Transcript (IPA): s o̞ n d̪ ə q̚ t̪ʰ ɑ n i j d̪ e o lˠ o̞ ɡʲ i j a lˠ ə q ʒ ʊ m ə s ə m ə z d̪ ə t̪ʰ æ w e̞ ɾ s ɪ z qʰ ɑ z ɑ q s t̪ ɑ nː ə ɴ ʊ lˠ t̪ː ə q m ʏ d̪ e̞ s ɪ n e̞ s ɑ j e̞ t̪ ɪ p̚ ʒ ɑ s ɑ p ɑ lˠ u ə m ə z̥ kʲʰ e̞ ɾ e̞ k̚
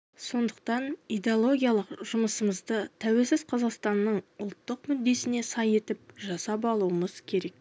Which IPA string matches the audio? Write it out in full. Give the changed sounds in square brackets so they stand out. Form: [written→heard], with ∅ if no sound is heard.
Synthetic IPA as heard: s o̞ n d̪ ə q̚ [t̪ʰ→t̪] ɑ n i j d̪ e o lˠ o̞ ɡʲ i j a lˠ ə q ʒ ʊ m ə s ə m ə z d̪ ə t̪ʰ æ w e̞ [ɾ→l] s ɪ z qʰ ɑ z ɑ q s t̪ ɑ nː ə ɴ ʊ lˠ t̪ː ə q m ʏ [d̪→d̪ː] e̞ s ɪ n e̞ s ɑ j e̞ t̪ ɪ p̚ ʒ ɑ s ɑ p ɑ lˠ u ə m ə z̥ kʲʰ e̞ ɾ e̞ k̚